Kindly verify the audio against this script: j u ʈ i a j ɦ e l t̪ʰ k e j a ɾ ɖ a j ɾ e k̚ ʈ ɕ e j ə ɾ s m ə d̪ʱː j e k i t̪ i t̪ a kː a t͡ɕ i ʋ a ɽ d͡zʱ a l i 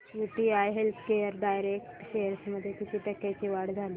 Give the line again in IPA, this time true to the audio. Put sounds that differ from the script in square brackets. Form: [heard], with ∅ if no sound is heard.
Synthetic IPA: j u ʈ i a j ɦ e l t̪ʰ k e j [ə] ɾ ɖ a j ɾ e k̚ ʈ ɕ e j ə ɾ s m ə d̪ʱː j e k i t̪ i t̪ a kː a t͡ɕ i ʋ a ɽ d͡zʱ a l i